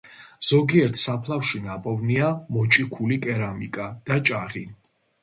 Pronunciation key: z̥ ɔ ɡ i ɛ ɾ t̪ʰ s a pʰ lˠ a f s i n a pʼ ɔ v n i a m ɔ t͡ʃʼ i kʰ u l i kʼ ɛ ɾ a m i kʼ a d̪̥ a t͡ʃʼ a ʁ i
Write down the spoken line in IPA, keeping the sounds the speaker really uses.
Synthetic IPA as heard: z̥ ɔ ɡ i ɛ ɾ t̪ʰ s a pʰ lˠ a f ʃ i n a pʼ ɔ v n i a m ɔ t͡ʃʼ i kʰ u l i kʼ ɛ ɾ a m i kʼ a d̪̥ a t͡ʃʼ a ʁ i